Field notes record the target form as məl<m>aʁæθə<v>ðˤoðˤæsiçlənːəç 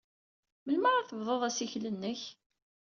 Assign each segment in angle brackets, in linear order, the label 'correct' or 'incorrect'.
correct, correct

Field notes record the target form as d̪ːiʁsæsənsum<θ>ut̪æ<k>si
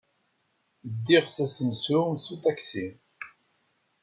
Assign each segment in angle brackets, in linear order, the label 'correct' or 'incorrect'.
incorrect: s, correct

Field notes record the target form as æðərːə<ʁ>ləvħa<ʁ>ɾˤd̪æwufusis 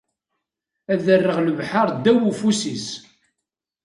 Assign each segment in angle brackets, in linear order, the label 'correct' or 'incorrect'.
correct, incorrect: none

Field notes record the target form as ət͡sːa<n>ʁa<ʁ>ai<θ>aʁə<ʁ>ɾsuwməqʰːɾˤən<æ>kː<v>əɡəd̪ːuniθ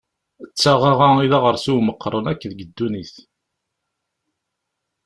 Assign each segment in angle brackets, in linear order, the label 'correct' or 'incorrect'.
incorrect: none, correct, incorrect: ð, incorrect: none, correct, incorrect: ð

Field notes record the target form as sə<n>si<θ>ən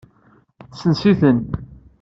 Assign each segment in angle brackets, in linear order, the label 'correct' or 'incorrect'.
correct, correct

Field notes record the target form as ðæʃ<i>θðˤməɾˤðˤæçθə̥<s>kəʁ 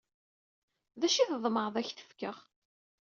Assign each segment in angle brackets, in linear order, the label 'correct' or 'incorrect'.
correct, incorrect: f

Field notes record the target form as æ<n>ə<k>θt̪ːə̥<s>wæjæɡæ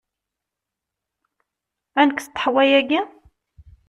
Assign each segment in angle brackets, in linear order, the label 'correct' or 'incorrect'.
correct, correct, incorrect: ħ

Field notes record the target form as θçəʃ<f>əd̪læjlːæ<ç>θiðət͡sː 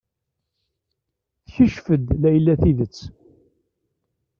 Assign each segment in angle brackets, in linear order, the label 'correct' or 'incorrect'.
correct, incorrect: none

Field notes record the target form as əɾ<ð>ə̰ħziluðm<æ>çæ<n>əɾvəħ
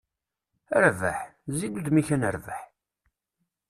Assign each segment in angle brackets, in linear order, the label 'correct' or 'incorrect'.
incorrect: v, incorrect: i, correct

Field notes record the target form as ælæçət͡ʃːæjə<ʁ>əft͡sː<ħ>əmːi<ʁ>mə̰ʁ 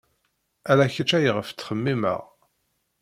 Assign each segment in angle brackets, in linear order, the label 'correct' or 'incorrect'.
correct, incorrect: χ, incorrect: none

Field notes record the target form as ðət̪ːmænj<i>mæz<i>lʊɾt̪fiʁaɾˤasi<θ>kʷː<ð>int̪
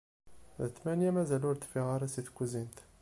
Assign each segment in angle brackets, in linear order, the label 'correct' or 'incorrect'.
incorrect: æ, incorrect: æ, correct, incorrect: z

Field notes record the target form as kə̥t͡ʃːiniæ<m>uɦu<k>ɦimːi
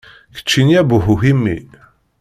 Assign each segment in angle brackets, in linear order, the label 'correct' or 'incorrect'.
incorrect: b, incorrect: none

